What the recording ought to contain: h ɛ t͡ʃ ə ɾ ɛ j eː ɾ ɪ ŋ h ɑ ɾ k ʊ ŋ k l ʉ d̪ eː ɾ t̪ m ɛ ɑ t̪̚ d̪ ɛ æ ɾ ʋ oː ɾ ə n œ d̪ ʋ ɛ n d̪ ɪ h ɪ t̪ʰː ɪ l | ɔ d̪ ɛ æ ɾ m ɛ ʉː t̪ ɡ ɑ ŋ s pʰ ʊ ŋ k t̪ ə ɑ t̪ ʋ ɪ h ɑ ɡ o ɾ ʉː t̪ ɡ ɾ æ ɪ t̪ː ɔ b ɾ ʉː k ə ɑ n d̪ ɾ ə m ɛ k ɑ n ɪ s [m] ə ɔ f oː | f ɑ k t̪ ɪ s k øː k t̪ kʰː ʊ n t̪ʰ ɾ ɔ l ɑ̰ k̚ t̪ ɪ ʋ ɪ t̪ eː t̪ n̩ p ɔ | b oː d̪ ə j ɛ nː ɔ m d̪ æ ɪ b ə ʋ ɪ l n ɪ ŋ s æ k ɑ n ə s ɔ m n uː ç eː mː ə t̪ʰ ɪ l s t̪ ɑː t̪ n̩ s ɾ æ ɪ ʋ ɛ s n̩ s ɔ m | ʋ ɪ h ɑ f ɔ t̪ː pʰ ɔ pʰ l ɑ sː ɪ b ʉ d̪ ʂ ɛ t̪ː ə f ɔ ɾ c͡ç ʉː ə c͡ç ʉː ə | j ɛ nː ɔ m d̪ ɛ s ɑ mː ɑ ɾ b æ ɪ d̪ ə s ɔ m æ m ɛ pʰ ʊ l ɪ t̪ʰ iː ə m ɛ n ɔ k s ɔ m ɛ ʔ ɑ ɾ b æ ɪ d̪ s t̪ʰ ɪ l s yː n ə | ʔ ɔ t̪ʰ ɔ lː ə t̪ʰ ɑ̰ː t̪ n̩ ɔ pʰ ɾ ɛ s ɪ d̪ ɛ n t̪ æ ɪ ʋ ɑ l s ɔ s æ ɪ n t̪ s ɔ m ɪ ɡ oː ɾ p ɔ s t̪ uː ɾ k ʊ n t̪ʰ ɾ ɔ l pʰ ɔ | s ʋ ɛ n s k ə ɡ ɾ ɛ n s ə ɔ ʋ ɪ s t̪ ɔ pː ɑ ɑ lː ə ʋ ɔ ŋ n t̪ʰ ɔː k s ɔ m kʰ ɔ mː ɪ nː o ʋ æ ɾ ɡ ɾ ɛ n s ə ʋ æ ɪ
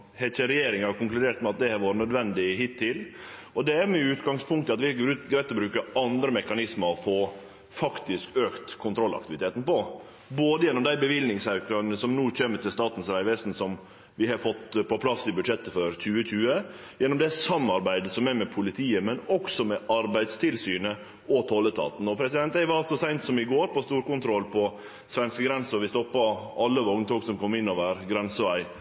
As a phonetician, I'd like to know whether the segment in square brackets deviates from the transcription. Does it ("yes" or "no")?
no